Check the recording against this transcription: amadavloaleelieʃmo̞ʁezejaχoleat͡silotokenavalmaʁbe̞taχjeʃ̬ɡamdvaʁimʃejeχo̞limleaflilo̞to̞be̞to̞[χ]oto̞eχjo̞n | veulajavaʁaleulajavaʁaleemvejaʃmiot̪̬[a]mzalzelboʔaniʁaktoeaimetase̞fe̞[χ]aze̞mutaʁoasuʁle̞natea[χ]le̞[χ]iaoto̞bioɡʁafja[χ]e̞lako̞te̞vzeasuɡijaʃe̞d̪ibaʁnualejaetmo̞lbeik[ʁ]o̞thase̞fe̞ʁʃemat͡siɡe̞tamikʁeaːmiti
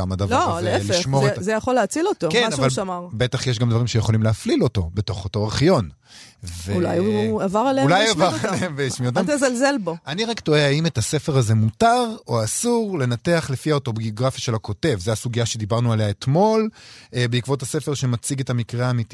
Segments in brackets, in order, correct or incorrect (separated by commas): correct, correct, incorrect, correct, incorrect, incorrect, incorrect